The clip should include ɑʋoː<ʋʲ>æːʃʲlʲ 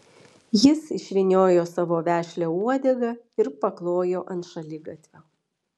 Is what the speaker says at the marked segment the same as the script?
yes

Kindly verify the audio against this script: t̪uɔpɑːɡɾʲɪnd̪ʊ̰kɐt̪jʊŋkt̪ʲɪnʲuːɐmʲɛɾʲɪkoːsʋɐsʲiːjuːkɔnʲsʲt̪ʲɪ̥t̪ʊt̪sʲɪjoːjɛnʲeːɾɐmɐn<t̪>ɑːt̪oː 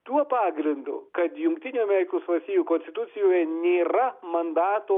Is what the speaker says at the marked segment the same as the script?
no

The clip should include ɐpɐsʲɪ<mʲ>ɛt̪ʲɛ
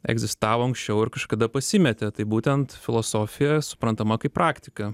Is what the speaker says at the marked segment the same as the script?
yes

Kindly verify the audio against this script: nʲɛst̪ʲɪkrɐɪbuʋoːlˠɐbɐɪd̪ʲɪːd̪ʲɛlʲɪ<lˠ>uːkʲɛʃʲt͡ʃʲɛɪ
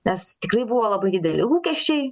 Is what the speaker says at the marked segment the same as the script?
yes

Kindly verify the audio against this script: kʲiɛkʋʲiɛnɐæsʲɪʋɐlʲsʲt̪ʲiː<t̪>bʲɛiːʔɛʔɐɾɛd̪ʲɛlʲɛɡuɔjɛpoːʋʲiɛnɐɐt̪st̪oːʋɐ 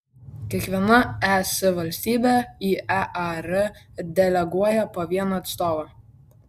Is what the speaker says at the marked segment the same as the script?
no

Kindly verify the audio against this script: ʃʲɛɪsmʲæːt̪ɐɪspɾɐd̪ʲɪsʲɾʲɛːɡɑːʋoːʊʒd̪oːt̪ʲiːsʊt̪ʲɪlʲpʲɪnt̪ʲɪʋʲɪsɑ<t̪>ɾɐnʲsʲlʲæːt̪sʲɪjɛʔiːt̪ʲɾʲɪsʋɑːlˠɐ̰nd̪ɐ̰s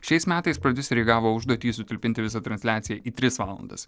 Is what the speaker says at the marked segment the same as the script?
yes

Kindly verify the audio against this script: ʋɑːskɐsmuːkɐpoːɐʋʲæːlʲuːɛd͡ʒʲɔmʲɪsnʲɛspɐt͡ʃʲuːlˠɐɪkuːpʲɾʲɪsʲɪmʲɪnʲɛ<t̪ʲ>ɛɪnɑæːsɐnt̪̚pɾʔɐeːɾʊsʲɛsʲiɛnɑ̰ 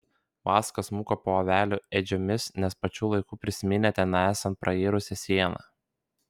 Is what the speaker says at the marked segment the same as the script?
yes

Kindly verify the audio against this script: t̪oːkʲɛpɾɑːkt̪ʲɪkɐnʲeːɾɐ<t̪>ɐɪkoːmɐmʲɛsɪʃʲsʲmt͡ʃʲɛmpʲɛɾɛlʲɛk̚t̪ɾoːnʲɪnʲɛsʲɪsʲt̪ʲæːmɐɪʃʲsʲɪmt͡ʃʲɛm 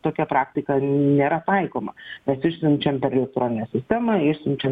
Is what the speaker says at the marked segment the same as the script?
yes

